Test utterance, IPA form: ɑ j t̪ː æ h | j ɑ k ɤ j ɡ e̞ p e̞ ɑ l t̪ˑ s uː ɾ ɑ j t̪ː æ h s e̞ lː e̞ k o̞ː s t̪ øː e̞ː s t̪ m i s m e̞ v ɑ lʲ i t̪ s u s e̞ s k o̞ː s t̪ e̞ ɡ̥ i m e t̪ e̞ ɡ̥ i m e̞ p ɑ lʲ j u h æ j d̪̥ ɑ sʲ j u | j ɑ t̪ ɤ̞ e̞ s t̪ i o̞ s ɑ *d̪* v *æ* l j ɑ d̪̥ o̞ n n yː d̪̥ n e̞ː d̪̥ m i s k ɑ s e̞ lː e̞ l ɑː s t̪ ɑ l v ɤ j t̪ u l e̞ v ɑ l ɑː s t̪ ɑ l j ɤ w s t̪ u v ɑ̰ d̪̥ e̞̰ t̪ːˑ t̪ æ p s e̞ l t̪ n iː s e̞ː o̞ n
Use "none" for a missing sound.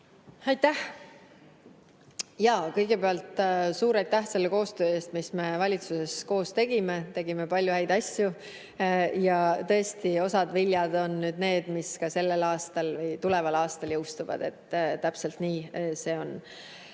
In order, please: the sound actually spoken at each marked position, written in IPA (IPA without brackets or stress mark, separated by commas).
d̪, i